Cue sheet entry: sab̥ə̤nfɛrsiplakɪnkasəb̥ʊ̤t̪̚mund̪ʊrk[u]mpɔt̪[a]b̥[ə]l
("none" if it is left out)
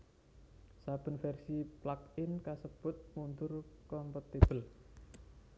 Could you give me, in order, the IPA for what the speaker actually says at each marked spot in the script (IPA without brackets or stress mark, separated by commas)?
ɔ, i, ə